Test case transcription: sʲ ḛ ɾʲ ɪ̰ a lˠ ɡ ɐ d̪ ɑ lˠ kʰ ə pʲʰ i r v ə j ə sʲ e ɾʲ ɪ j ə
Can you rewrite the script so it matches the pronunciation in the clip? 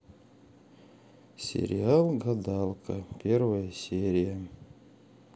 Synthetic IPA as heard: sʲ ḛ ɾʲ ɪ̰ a lˠ ɡ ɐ d̪ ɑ lˠ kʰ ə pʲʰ e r v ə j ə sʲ e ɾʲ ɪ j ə